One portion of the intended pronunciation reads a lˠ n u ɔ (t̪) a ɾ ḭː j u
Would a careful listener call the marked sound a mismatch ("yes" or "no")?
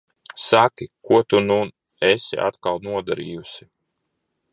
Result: yes